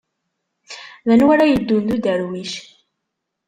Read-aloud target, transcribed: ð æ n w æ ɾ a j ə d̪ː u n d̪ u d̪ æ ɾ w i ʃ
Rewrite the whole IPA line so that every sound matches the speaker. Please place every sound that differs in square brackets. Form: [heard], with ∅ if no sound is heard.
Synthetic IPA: ð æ n w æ ɾ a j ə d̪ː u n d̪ u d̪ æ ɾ w i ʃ